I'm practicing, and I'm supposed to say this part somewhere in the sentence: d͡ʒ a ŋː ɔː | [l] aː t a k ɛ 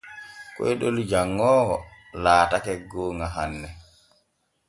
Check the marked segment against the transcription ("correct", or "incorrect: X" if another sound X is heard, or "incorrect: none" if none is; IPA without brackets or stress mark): correct